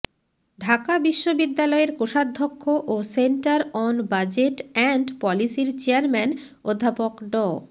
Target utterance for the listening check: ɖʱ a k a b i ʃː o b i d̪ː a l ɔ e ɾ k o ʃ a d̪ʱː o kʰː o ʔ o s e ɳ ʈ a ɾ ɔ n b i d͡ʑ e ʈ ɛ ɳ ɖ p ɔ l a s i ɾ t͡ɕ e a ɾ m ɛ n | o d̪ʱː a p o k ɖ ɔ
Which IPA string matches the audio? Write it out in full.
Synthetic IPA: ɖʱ a k a b i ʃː o b i d̪ː a l ɔ e ɾ k o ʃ a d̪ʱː o kʰː o ʔ o s e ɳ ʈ a ɾ ɔ n b a d͡ʑ e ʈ ɛ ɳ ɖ p ɔ l i s i ɾ t͡ɕ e a ɾ m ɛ n | o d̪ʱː a p o k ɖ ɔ

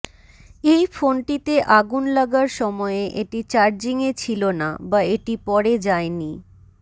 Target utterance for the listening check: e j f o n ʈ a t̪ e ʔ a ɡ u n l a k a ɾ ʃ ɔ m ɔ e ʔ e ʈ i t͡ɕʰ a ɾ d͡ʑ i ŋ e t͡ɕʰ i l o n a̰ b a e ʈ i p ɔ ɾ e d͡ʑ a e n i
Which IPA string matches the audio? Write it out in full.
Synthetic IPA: e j f o n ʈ i t̪ e ʔ a ɡ u n l a ɡ a ɾ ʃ ɔ m ɔ e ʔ e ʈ i t͡ɕ a ɾ d͡ʑ i ŋ e t͡ɕʰ i l o n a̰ b a e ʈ i p ɔ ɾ e d͡ʑ a e n i

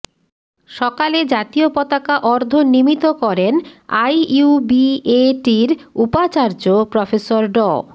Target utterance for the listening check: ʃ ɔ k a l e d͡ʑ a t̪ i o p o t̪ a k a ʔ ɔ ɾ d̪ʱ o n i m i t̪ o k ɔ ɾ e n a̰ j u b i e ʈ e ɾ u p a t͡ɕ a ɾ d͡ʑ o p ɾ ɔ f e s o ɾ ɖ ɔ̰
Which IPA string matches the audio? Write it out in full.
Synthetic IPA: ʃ ɔ k a l e d͡ʑ a t̪ i o p ɔ t̪ a k a ʔ ɔ ɾ d̪ʱ o n i m i t̪ o k ɔ ɾ e n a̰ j u b i e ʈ i ɾ u p a t͡ɕ a ɾ d͡ʑ o p ɾ ɔ f e s o ɾ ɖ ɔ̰

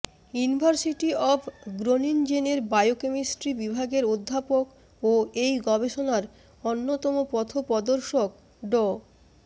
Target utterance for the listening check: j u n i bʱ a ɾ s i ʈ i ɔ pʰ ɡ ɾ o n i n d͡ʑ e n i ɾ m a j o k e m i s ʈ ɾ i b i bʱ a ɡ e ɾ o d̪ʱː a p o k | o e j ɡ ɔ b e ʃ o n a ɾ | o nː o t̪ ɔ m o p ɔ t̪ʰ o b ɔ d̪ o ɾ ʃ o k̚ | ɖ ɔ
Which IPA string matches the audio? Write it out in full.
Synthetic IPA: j u n i bʱ a ɾ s i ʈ i ɔ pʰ ɡ ɾ o n i n d͡ʑ e n e ɾ b a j o k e m i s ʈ ɾ i b i bʱ a ɡ e ɾ o d̪ʱː a p o k | o e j ɡ ɔ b e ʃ o n a ɾ | o nː o t̪ ɔ m o p ɔ t̪ʰ o p ɔ d̪ o ɾ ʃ o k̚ | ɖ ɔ

